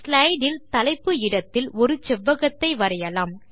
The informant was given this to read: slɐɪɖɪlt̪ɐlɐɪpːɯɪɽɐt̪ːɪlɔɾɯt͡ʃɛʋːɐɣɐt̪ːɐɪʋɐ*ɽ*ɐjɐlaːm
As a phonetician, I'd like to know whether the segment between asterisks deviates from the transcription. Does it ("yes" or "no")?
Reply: yes